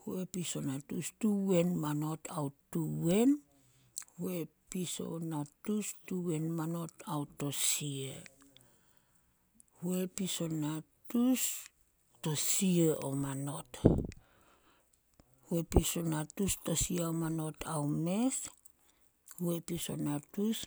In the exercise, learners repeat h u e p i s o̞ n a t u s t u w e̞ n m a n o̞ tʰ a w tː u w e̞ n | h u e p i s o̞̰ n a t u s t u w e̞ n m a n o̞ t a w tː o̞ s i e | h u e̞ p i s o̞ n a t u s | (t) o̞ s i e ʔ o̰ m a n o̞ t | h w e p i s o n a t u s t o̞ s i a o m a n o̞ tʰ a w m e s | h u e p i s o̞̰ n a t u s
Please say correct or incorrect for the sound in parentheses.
correct